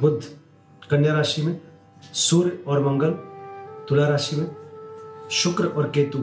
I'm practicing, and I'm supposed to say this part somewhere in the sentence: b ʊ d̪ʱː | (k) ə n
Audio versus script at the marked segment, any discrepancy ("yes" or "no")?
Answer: no